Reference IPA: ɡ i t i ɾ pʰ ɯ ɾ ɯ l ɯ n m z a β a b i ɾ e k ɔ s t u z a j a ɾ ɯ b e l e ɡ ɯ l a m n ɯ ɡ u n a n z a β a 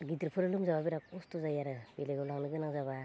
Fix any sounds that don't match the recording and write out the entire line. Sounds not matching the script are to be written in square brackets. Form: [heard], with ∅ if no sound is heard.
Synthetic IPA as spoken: ɡ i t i ɾ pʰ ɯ ɾ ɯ l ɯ [∅] m z a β a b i ɾ [a] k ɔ s t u z a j a ɾ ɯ b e l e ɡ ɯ l a [ŋ] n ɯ ɡ [ɯ] n a [ŋ] z a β a